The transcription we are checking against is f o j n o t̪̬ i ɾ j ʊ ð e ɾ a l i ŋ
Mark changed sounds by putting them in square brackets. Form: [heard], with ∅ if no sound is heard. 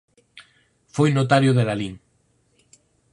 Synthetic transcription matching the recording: f o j n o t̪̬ [a] ɾ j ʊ ð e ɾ a l i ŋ